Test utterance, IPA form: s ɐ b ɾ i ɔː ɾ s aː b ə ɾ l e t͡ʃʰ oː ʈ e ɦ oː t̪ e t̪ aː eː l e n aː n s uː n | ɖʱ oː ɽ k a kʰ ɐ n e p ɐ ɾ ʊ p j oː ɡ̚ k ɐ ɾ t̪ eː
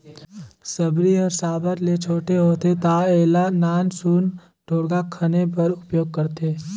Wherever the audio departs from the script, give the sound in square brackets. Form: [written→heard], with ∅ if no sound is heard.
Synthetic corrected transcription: s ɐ b ɾ i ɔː ɾ s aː b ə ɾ l e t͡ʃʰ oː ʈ e ɦ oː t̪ e t̪ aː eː l [e→a] n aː n s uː n | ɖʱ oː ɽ [k→ɡ] a kʰ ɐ n e p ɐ ɾ ʊ p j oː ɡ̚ k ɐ ɾ t̪ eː